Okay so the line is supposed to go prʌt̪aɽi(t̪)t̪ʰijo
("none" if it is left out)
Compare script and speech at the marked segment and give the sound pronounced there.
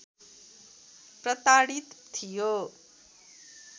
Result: t̪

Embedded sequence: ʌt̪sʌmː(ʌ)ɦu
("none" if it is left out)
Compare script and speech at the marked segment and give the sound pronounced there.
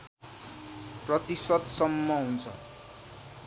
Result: ʌ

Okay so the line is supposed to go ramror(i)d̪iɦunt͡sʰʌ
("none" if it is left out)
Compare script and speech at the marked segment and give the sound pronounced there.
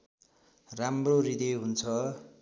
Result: i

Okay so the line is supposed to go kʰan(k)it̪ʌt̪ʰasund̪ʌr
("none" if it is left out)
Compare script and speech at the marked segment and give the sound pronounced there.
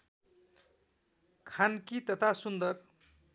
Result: k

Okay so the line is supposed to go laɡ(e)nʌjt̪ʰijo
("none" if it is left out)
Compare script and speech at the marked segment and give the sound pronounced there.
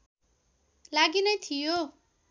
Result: i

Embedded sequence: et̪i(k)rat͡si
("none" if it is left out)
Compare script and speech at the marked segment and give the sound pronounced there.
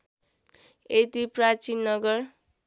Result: p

